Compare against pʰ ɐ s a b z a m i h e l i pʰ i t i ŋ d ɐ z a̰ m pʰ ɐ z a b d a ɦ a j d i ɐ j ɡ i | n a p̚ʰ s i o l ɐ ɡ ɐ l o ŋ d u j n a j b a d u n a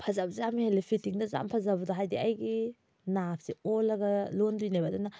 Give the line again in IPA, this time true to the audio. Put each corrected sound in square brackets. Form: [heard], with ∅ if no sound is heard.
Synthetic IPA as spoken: pʰ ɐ [z] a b z a m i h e l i pʰ i t i ŋ d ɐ z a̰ m pʰ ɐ z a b d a ɦ a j d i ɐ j ɡ i | n a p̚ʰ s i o l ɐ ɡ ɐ l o [n] d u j n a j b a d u n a